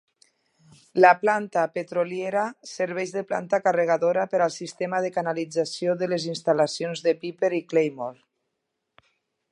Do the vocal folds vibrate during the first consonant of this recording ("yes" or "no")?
yes